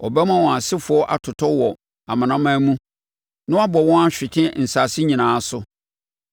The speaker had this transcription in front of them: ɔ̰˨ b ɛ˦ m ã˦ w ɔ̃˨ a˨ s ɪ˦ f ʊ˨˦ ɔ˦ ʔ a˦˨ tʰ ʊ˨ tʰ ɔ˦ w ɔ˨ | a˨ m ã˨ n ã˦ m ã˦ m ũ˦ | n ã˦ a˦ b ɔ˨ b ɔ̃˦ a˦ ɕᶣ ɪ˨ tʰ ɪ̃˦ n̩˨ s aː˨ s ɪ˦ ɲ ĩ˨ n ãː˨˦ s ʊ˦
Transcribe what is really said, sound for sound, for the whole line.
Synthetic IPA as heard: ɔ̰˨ b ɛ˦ m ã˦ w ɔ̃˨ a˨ s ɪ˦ f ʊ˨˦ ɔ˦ ʔ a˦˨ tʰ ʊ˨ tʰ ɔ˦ w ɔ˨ | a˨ m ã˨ n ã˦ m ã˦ m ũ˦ | n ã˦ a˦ b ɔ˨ w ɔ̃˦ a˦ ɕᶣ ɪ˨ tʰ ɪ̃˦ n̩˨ s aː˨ s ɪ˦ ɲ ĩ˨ n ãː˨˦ s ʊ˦